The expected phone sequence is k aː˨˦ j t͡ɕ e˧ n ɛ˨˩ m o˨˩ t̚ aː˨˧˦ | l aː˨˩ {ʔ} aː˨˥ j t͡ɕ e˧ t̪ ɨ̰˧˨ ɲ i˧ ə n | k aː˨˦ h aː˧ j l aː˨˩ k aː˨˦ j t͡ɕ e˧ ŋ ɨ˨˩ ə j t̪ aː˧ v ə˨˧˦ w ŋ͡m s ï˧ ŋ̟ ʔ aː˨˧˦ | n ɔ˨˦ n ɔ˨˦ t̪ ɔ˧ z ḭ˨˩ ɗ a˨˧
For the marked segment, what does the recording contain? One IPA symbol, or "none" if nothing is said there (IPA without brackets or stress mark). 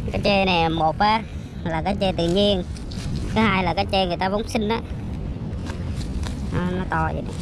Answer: k